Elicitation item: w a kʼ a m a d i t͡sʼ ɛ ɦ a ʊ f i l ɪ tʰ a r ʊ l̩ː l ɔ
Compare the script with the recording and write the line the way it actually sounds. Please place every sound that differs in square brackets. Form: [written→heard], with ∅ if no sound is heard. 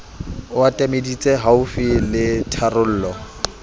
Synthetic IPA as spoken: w a [kʼ→tʼ] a m [a→e] d i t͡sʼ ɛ ɦ a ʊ f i l ɪ tʰ a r ʊ l̩ː l ɔ